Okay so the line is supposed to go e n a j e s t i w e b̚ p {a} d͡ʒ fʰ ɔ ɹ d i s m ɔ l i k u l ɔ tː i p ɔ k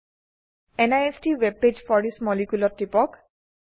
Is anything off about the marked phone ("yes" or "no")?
yes